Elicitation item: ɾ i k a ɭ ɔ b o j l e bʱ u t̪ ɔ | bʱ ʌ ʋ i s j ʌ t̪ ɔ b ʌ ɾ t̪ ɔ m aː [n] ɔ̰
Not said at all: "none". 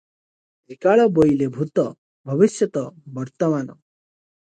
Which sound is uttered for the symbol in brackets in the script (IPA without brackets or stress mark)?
n